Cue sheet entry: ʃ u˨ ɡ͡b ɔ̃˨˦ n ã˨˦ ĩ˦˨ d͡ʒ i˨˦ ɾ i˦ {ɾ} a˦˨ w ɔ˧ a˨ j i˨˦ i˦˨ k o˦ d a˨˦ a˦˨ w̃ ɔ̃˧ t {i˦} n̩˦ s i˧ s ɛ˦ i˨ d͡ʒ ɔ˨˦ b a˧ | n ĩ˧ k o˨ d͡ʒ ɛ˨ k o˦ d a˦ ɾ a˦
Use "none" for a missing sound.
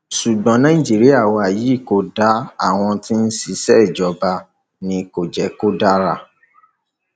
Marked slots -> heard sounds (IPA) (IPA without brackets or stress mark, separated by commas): none, i˦